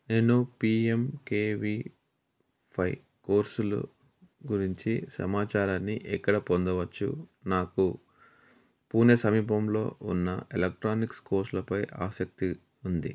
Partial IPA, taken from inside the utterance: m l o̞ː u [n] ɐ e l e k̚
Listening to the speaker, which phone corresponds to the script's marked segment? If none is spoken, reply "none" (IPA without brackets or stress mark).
nː